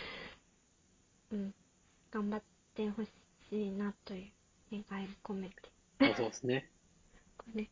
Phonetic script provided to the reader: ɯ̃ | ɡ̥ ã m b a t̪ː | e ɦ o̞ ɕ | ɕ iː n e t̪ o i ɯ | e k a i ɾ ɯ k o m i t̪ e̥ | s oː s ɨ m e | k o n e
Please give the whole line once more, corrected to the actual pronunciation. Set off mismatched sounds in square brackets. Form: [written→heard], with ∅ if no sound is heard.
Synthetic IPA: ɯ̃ | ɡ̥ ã m b a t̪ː | e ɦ o̞ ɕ | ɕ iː n [e→a] t̪ o [i→j] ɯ | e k a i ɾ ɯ k o m [i→e] t̪ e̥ | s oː s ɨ [m→n] e | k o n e